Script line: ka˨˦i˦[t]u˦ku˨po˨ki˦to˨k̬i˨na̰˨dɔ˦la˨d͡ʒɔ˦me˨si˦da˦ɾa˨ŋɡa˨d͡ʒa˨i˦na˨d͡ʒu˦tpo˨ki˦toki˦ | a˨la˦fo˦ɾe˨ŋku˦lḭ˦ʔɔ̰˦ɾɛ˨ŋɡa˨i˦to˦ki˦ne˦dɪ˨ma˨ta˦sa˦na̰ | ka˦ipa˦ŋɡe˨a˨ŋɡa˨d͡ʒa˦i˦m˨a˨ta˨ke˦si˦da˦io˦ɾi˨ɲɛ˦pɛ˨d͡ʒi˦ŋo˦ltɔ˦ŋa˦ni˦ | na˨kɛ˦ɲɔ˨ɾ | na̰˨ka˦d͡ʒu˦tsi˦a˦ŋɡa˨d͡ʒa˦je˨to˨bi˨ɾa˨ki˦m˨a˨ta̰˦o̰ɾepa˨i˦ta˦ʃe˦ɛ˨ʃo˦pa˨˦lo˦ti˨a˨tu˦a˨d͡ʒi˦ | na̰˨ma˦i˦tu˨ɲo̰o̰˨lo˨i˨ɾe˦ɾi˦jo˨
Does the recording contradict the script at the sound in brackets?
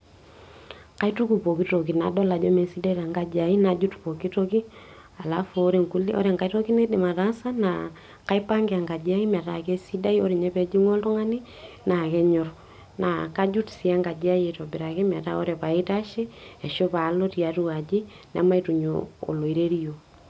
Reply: no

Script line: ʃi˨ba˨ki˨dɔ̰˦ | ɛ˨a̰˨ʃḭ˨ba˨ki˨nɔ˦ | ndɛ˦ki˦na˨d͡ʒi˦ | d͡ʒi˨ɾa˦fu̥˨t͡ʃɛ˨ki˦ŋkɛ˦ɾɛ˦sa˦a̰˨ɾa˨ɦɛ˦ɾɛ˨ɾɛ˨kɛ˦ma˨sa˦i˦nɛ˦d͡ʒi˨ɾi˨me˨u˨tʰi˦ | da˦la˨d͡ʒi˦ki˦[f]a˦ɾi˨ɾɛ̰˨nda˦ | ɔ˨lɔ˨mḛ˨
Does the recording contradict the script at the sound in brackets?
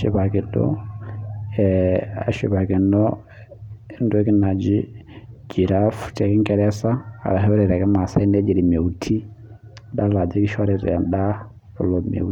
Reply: yes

